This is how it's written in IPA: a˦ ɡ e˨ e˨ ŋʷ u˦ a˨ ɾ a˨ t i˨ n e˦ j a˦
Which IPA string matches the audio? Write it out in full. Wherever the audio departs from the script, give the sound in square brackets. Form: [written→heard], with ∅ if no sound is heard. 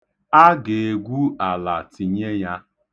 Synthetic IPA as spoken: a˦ ɡ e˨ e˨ [ŋʷ→ɡʷ] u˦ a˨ [ɾ→l] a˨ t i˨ [n→ɲ] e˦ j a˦